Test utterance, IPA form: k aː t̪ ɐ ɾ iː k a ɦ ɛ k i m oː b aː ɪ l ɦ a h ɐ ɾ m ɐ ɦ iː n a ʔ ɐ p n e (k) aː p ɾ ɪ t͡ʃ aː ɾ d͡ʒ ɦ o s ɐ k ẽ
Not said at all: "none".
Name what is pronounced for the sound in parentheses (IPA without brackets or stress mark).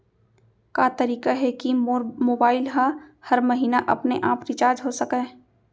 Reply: ʔ